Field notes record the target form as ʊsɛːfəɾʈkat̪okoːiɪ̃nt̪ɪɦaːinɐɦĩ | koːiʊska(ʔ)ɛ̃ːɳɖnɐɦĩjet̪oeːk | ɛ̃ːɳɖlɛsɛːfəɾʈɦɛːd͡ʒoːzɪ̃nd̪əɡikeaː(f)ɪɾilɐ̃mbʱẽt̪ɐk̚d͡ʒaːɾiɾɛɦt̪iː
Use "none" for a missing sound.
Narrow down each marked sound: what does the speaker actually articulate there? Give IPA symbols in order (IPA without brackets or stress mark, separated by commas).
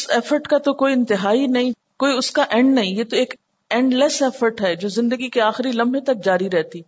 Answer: ʔ, x